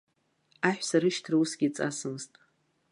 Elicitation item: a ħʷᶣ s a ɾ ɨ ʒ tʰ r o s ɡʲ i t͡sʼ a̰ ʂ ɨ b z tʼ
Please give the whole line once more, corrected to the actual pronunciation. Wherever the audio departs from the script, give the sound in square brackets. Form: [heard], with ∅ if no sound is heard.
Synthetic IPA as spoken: a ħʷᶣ s a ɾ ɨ [ʃ] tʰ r [u] s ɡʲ i t͡sʼ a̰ [s] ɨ [m] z tʼ